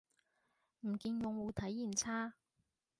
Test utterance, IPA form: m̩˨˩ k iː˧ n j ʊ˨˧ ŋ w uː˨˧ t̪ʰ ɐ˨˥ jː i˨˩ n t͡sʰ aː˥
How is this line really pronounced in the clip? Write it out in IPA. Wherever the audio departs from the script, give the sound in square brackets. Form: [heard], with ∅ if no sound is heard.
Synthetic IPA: m̩˨˩ k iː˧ n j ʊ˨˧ ŋ w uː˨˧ t̪ʰ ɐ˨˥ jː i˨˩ n t͡sʰ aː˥